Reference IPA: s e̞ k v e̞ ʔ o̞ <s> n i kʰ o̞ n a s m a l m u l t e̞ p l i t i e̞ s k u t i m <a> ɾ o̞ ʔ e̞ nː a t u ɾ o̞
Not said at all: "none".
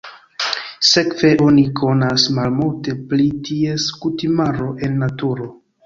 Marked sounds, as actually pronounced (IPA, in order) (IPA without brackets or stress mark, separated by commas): none, a